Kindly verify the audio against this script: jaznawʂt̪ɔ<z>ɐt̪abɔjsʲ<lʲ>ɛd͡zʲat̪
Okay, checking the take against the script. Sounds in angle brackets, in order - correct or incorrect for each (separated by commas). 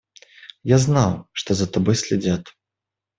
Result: correct, correct